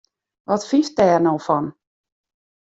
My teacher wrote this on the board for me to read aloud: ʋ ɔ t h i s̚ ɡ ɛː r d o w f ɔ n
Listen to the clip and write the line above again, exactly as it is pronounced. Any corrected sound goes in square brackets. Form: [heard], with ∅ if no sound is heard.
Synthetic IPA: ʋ ɔ t [f] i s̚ [d] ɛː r [n] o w f ɔ n